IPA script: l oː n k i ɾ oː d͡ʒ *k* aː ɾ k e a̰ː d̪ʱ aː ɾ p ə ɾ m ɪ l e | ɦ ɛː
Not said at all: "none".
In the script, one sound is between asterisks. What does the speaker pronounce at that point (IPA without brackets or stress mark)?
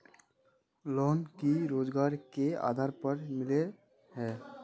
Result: ɡ